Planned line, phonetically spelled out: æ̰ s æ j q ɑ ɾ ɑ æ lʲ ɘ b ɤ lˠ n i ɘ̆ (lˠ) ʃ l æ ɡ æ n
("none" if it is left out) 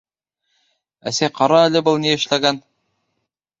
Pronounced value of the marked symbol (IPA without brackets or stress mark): none